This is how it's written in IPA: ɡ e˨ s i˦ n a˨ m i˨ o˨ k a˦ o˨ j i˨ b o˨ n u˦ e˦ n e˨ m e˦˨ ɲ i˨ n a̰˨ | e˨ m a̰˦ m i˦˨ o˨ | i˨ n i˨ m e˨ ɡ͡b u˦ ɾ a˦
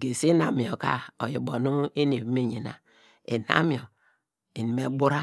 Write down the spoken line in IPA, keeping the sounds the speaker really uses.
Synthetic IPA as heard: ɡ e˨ s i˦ n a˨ m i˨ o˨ k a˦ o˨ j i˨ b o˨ n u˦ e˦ n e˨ m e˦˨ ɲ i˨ n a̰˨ | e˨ n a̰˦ m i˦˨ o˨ | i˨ n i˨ m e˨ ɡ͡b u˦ ɾ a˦